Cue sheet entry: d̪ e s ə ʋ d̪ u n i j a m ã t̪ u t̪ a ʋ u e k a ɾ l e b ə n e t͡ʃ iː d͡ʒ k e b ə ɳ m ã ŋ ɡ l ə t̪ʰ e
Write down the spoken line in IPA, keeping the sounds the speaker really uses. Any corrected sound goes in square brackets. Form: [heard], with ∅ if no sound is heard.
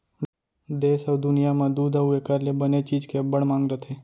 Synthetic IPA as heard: d̪ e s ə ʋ d̪ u n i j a m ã [d̪] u [d̪] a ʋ u e k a ɾ l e b ə n e t͡ʃ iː d͡ʒ k e b ə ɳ m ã ŋ ɡ [ɾ] ə t̪ʰ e